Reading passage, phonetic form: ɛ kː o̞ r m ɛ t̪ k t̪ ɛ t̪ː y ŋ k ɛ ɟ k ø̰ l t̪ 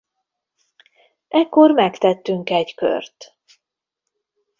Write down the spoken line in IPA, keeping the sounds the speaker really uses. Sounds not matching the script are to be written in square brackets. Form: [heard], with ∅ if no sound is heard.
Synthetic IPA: ɛ kː o̞ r m ɛ [∅] k t̪ ɛ t̪ː y ŋ k ɛ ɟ k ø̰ [r] t̪